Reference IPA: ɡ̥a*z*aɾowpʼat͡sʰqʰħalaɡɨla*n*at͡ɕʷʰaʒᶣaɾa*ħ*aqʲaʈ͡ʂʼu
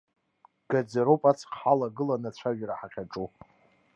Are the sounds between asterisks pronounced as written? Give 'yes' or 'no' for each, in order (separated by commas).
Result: no, yes, yes